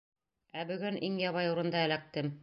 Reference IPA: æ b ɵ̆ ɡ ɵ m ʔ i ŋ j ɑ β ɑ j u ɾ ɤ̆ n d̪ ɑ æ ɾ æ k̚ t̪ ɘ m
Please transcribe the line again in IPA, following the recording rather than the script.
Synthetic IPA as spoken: æ b ɵ̆ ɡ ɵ n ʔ i ŋ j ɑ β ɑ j u ɾ ɤ̆ n d̪ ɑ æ l æ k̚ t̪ ɘ m